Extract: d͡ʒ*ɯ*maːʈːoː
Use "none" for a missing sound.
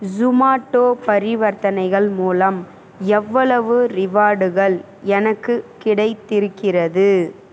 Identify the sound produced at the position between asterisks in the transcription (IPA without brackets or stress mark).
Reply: ʊ